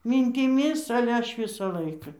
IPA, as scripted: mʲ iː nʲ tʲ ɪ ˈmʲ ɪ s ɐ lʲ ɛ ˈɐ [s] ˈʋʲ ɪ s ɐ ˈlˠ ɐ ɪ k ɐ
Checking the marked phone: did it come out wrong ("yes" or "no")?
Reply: yes